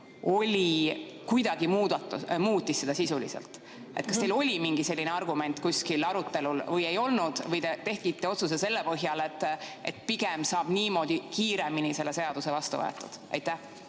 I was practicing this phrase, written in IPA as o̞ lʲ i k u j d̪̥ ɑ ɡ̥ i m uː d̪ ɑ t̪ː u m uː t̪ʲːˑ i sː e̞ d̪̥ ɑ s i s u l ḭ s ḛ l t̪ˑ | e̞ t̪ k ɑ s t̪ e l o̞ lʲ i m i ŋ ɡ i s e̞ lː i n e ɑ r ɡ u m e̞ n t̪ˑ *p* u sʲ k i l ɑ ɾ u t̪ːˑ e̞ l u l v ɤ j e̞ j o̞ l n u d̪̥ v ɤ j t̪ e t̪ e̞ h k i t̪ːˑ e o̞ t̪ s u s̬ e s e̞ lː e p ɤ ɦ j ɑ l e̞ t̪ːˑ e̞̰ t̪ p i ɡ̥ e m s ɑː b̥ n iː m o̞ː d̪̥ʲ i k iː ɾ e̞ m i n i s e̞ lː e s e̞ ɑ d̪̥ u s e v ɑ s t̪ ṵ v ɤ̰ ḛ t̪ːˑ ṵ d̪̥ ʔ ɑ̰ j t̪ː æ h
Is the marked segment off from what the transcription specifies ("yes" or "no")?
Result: yes